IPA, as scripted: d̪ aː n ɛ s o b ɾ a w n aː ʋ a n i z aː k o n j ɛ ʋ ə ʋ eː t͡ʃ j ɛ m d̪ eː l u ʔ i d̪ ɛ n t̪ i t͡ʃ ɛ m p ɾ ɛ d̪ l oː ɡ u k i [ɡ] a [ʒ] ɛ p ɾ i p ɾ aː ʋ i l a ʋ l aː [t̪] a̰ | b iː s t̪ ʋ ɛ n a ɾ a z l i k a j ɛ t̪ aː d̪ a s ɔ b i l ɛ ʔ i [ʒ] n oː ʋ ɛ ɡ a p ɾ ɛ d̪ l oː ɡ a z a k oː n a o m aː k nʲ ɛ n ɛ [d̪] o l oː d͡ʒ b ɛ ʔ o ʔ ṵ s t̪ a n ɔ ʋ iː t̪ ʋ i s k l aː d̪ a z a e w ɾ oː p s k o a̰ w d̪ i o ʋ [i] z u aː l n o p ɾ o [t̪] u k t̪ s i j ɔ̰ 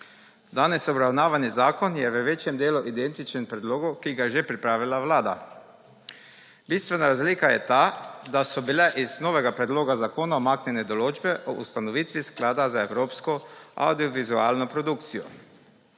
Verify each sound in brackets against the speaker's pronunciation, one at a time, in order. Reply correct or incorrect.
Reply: correct, correct, incorrect: d̪, incorrect: z, correct, correct, incorrect: d̪

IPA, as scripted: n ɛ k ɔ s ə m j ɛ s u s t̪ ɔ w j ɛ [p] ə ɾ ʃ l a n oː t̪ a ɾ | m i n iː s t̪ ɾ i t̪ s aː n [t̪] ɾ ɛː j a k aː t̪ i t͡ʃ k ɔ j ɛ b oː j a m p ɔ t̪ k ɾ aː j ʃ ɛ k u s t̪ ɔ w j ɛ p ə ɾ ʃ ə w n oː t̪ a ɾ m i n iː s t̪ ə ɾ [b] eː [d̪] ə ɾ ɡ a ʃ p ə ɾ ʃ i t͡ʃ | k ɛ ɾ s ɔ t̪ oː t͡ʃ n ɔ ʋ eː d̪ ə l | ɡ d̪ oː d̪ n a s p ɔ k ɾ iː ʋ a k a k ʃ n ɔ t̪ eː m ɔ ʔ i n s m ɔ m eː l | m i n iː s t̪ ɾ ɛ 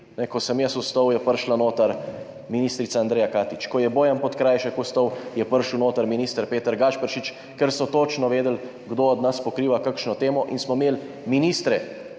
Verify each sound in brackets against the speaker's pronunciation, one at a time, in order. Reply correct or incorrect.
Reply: correct, incorrect: d̪, incorrect: p, incorrect: t̪

